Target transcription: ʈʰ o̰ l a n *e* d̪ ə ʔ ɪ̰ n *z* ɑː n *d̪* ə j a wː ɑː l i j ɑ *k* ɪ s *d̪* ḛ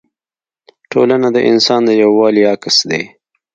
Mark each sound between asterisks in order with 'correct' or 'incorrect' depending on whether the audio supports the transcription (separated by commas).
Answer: incorrect, incorrect, correct, correct, correct